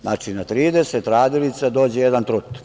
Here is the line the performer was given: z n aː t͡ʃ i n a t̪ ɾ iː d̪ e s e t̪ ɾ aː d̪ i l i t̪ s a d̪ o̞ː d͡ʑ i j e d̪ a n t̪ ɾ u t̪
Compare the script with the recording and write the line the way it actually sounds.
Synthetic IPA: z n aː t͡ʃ i n a t̪ ɾ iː d̪ e s e t̪ ɾ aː d̪ i l i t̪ s a d̪ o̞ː d͡ʑ e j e d̪ a n t̪ ɾ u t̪